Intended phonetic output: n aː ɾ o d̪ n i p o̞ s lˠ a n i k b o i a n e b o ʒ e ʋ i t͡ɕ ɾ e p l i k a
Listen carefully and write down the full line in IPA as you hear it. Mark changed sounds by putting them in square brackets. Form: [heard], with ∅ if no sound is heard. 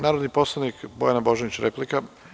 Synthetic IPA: n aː ɾ o d̪ n i p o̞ s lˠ a n i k b o [j] a n [a] b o ʒ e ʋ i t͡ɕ ɾ e p l i k a